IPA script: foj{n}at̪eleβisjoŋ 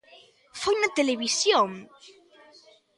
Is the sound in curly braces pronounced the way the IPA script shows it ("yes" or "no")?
yes